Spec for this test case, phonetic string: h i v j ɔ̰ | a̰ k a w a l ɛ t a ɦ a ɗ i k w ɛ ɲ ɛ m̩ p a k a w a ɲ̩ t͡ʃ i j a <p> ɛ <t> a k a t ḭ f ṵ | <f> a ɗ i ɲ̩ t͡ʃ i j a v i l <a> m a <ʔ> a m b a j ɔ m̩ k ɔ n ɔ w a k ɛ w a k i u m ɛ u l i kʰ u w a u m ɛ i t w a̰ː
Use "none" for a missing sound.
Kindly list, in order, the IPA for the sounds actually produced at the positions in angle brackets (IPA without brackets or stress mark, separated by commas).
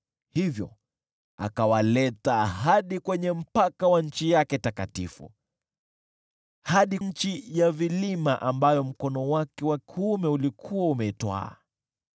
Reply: k, t, h, i, ʔ